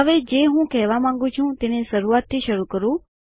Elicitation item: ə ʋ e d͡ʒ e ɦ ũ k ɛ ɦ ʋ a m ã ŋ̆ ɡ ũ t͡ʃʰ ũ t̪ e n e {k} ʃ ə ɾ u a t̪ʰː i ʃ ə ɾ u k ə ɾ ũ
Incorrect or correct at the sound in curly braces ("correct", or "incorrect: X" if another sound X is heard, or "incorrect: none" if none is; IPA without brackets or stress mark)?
incorrect: none